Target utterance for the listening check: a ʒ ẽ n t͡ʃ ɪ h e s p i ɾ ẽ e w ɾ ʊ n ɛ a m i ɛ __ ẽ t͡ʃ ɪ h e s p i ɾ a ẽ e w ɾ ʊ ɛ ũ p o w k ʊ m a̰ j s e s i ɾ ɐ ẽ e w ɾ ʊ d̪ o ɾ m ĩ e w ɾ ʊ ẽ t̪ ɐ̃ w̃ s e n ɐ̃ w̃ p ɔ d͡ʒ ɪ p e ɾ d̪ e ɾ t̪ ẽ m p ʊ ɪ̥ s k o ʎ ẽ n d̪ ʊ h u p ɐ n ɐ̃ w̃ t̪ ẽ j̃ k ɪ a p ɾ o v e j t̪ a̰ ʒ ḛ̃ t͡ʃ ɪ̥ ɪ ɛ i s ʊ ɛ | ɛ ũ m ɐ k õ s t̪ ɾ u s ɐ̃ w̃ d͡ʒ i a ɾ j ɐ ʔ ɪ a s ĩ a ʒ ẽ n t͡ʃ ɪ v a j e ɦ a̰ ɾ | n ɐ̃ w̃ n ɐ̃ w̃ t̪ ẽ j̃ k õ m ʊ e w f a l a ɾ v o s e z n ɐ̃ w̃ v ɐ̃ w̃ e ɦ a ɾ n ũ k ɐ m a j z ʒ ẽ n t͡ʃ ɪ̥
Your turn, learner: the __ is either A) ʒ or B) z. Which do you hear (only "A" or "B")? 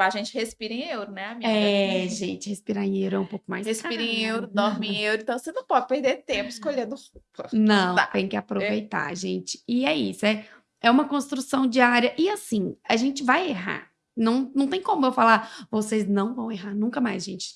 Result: A